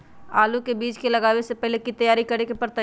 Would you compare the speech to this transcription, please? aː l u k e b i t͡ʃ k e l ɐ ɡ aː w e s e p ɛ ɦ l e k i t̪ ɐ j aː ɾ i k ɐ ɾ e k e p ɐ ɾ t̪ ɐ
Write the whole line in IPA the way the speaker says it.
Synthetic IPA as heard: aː l u k e b iː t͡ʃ k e l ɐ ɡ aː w e s e p ɛ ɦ l e k i t̪ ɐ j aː ɾ i k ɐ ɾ e k e p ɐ ɾ t̪ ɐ